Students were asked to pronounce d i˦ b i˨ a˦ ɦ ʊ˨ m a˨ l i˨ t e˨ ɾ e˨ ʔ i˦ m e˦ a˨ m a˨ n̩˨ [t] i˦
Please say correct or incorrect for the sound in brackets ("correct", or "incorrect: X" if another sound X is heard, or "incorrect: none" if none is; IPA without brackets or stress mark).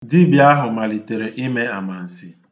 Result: incorrect: s